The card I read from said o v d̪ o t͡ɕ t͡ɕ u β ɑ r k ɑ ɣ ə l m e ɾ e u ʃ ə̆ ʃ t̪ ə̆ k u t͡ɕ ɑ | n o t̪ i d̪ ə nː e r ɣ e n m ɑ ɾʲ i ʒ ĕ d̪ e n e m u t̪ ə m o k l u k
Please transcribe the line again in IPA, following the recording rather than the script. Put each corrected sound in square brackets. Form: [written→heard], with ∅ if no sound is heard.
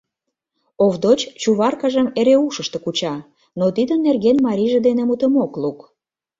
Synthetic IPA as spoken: o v d̪ o t͡ɕ t͡ɕ u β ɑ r k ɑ [ɣ→ʒ] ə [l→∅] m e ɾ e u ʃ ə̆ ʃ t̪ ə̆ k u t͡ɕ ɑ | n o t̪ i d̪ ə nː e r ɣ e n m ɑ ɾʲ i ʒ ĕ d̪ e n e m u t̪ ə m o k l u k